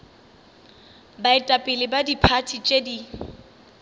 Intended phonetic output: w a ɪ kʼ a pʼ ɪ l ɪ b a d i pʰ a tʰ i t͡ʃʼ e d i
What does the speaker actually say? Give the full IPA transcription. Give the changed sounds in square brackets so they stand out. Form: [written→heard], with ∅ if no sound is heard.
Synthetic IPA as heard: [w→b] a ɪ [kʼ→tʼ] a pʼ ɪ l ɪ b a d i pʰ a tʰ i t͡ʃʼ e d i